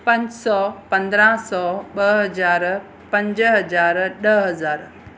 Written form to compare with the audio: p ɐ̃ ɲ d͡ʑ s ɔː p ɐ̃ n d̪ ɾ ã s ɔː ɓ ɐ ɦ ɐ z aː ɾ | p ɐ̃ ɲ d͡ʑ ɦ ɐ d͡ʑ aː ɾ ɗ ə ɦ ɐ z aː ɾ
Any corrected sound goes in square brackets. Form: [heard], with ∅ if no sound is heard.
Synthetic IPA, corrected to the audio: p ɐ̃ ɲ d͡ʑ s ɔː p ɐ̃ n d̪ ɾ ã s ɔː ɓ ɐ ɦ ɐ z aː ɾ | p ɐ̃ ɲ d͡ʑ ɦ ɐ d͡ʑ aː ɾ ɗ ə ɦ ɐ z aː ɾ